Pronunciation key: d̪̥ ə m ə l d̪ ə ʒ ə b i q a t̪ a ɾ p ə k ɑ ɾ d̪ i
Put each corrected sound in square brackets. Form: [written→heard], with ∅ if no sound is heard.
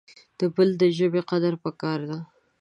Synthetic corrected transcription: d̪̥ ə [m→b] ə l d̪ ə ʒ ə b [i→e] q a [t̪→d̪] a ɾ p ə k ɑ ɾ d̪ [i→a]